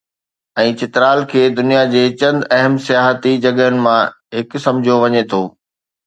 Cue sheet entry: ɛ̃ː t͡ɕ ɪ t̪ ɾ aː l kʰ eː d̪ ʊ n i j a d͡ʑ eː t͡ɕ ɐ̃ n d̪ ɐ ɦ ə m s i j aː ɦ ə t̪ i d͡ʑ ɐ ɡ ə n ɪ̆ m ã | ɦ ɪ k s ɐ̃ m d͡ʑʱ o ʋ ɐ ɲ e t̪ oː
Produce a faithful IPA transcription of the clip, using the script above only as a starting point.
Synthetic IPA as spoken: ɛ̃ː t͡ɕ ɪ t̪ ɾ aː l kʰ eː d̪ ʊ n i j a d͡ʑ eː t͡ɕ ɐ̃ n d̪ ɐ ɦ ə m s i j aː ɦ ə t̪ i d͡ʑ ɐ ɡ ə n ɪ̆ m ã | ɦ ɪ k s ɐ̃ m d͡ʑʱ o ʋ ɐ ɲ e t̪ʰ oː